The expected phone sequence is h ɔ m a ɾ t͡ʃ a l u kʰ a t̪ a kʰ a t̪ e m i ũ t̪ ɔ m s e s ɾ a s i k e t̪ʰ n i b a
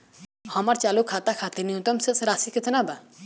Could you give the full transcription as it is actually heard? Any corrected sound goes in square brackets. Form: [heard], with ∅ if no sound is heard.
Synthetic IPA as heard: h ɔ m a ɾ t͡ʃ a l u kʰ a t̪ a kʰ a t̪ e [n] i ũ t̪ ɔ m s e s ɾ a s i k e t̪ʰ n [a] b a